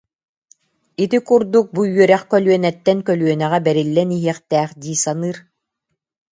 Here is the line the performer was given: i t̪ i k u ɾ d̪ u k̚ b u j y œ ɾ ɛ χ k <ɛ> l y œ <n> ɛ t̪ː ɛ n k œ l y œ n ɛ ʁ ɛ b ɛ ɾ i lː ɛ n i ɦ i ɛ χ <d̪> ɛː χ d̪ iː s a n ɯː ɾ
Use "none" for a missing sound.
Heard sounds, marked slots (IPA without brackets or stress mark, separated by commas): œ, n, t̪